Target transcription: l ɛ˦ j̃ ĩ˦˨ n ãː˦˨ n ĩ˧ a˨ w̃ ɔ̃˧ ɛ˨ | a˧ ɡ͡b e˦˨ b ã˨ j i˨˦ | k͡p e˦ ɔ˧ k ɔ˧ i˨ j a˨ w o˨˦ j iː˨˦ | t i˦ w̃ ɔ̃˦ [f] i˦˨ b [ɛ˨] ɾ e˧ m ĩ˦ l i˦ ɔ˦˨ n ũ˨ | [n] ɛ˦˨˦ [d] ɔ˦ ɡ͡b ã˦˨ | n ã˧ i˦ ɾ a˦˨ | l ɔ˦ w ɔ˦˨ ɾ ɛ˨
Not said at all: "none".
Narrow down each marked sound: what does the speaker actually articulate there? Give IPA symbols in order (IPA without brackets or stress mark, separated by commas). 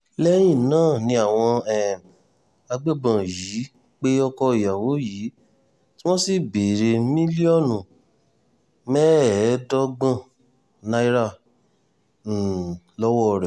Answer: s, e˨, m, d